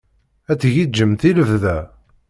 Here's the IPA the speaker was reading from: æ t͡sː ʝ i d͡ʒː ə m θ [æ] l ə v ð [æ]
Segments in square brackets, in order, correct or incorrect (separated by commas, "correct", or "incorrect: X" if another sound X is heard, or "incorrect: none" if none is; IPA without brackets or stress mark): incorrect: i, correct